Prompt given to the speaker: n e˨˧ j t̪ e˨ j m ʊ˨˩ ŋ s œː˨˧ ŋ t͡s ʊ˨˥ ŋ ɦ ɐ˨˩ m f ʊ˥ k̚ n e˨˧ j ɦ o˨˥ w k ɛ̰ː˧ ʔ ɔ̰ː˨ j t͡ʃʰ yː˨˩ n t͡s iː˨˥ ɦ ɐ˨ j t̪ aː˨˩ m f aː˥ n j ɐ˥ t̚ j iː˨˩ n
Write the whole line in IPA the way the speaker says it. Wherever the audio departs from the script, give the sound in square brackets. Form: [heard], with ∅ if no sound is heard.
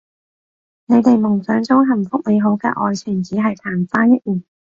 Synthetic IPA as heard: n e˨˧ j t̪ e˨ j m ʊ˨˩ ŋ s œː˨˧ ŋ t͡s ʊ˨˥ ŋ ɦ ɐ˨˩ m f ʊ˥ k̚ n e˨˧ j ɦ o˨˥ w k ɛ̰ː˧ ʔ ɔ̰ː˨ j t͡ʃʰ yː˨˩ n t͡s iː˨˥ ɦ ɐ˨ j [t̪ʰ] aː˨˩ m f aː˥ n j ɐ˥ t̚ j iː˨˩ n